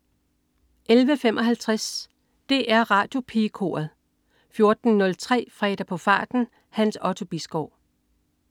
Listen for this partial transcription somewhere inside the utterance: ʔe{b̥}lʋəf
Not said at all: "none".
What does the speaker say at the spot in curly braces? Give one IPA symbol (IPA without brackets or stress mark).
none